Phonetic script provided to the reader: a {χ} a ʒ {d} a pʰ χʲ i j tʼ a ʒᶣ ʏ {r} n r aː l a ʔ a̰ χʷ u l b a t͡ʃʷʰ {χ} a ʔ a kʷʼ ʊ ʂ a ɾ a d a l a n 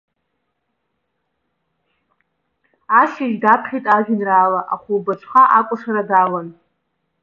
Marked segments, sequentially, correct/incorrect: incorrect, correct, incorrect, correct

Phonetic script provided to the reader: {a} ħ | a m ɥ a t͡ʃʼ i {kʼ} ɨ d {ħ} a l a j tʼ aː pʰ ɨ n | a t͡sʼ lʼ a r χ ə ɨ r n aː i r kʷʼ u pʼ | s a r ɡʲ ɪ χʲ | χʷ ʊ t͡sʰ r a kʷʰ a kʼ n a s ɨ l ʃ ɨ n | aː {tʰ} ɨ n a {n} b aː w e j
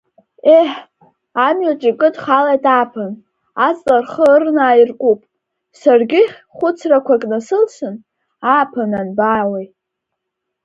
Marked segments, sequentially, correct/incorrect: incorrect, correct, incorrect, incorrect, correct

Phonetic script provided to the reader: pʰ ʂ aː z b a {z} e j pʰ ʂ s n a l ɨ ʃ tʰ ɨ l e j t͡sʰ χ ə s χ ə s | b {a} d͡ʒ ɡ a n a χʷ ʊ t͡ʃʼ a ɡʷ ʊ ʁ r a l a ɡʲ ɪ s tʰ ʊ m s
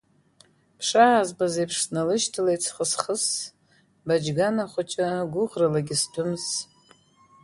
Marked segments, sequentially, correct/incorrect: correct, correct

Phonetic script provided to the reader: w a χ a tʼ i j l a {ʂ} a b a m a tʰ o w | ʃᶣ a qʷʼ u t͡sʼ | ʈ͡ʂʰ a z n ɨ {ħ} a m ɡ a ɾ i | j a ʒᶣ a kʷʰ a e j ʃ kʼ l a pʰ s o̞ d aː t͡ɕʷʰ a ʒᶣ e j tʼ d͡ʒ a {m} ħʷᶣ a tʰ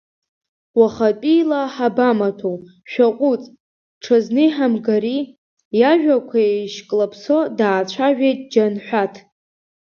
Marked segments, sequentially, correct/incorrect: incorrect, correct, incorrect

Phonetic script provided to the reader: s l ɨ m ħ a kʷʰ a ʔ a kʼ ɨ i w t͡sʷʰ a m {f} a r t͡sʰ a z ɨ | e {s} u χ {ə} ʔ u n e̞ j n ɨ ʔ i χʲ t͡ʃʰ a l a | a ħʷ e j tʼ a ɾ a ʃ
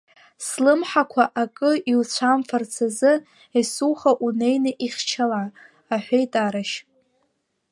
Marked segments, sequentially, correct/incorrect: correct, correct, incorrect

